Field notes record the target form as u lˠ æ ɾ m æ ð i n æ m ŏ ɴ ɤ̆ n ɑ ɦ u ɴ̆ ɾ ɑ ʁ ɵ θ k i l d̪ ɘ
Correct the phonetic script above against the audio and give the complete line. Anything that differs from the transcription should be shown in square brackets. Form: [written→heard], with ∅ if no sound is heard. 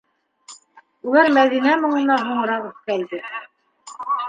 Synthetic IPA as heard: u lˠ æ ɾ m æ ð i n æ m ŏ ɴ ɤ̆ n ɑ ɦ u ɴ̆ ɾ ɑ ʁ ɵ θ k [i→æ] l d̪ ɘ